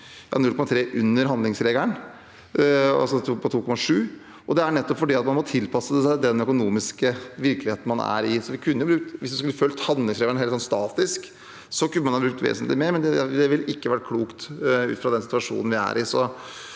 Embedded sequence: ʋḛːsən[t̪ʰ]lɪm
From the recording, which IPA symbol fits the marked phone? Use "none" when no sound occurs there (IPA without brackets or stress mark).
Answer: t̪